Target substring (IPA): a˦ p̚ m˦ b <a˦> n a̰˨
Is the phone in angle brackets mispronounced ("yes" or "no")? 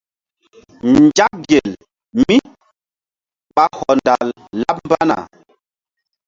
no